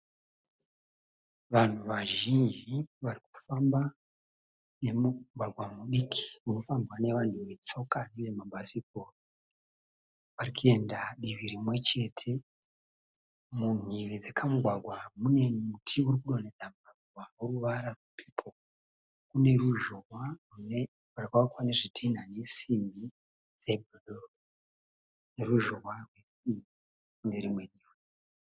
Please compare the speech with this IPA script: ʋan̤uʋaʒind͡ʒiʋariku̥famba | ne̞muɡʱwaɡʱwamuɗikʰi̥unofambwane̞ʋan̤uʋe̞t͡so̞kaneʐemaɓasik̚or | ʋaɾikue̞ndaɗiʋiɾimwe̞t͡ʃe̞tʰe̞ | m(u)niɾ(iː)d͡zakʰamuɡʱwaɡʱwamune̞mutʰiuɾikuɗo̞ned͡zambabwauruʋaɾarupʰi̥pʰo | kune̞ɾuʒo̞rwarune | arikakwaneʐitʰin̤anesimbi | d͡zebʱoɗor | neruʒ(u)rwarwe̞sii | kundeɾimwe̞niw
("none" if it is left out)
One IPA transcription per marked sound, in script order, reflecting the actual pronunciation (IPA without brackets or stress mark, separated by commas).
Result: u, i, o